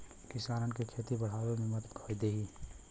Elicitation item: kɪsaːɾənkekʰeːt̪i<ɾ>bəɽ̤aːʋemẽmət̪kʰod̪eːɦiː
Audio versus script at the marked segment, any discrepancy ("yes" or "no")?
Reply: yes